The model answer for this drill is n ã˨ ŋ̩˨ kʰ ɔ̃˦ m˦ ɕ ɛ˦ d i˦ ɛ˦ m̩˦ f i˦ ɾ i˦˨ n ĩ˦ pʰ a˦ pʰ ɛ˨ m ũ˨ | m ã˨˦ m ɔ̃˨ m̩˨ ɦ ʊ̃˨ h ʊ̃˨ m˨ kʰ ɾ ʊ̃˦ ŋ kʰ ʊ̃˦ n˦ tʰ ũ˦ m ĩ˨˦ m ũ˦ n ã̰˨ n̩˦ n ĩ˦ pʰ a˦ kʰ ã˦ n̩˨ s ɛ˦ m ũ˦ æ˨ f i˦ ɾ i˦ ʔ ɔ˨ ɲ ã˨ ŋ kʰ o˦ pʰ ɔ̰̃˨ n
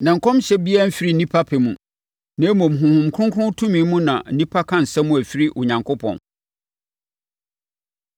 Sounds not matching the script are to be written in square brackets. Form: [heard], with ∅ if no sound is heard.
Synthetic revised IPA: n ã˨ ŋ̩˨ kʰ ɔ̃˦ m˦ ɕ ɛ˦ [b] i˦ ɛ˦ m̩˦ f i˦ ɾ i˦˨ n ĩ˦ pʰ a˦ pʰ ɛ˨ m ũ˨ | [n] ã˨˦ m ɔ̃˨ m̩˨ ɦ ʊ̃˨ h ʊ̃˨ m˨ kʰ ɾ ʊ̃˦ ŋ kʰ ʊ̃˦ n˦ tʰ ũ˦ m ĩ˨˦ m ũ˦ n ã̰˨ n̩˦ n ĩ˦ pʰ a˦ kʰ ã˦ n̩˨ s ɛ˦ m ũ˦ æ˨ f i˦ ɾ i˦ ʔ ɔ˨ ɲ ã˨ ŋ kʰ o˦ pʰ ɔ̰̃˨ n